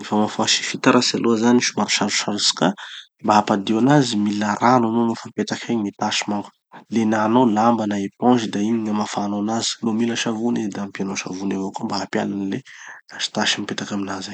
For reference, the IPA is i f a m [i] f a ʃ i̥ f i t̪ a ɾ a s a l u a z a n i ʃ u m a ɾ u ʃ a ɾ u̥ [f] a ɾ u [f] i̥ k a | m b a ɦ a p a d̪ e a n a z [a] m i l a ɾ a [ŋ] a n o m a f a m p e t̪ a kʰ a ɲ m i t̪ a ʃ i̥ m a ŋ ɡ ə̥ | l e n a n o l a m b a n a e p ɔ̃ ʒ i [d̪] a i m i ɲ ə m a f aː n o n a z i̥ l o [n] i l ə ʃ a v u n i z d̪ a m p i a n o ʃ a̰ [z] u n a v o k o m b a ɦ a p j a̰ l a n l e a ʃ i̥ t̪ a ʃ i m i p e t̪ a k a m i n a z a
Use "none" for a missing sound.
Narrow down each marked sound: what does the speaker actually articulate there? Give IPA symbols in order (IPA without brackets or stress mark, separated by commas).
a, ʃ, s, i, n, d̪, m, v